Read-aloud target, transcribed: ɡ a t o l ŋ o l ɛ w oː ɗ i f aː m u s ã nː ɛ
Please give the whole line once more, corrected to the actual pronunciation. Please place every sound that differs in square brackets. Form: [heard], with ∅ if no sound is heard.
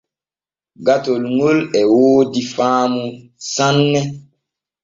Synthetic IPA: ɡ a t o l ŋ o l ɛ w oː [d] i f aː m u s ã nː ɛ